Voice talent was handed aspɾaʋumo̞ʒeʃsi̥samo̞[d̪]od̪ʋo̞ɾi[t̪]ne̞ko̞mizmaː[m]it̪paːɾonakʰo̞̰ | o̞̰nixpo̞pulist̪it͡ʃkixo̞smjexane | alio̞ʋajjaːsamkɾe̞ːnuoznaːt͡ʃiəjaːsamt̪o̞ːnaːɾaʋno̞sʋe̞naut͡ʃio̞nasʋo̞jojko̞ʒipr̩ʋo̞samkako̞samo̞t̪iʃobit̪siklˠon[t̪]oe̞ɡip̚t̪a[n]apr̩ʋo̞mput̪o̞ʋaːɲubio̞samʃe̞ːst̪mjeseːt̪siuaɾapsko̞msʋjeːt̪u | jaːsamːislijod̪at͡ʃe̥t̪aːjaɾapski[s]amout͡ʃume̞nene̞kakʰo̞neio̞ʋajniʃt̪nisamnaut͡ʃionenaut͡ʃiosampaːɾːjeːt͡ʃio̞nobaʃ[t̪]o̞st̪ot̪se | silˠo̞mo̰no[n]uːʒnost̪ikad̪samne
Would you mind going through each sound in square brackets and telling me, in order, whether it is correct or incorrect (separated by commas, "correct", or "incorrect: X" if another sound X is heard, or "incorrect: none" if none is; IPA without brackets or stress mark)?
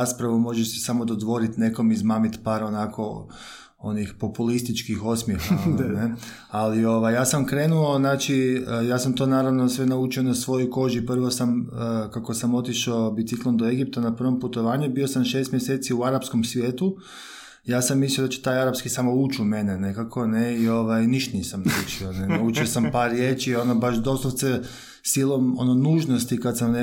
correct, correct, correct, incorrect: d̪, correct, correct, incorrect: d̪, correct